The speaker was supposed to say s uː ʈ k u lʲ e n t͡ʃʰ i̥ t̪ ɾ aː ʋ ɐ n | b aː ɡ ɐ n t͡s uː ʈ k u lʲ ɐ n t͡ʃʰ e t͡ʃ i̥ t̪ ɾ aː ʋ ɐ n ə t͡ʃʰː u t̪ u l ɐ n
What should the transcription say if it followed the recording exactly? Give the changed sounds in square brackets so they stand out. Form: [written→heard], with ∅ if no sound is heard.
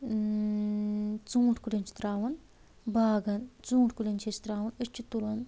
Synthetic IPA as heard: [s→t͡s] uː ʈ k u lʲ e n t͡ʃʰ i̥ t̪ ɾ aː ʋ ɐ n | b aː ɡ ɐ n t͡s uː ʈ k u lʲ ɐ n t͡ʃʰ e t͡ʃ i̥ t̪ ɾ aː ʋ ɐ n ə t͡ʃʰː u t̪ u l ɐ n